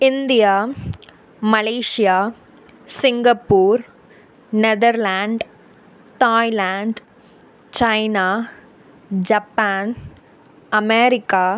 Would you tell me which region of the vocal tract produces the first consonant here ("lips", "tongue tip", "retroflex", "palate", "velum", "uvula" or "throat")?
tongue tip